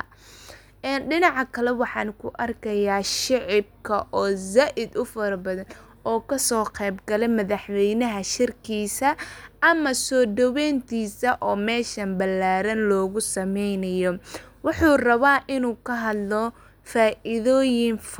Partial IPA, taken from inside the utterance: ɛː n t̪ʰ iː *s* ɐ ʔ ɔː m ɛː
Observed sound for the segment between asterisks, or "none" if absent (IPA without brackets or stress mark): s